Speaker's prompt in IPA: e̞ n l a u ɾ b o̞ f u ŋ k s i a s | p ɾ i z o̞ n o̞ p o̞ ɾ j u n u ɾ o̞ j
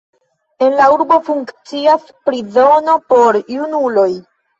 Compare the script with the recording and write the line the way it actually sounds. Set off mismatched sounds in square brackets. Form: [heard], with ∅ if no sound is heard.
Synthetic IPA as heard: e̞ n l a u ɾ b o̞ f u ŋ k [t͡s] i a s | p ɾ i z o̞ n o̞ p o̞ ɾ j u n u [l] o̞ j